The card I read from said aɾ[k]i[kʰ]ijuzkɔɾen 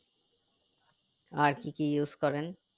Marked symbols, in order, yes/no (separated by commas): yes, no